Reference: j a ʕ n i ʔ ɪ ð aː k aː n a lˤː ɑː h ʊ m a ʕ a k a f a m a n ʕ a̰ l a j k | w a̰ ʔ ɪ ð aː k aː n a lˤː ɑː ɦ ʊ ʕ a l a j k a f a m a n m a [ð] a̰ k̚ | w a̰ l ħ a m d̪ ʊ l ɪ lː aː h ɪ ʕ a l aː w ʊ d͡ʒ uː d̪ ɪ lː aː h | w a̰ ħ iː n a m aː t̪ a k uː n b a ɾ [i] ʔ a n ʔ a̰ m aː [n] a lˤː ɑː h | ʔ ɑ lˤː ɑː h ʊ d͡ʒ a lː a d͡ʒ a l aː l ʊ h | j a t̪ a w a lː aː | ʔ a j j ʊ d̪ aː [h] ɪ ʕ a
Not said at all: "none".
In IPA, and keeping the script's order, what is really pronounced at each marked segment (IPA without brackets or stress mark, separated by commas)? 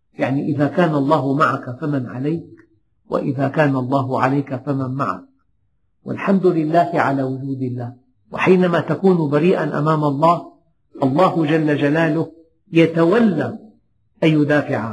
ʕ, iː, m, f